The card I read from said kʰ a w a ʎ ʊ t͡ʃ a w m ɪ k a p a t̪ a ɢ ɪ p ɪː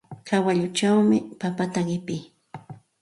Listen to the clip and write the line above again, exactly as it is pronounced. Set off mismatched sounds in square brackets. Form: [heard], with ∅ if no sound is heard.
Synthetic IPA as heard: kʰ a w a ʎ ʊ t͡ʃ a w m ɪ [p] a p a t̪ a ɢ ɪ p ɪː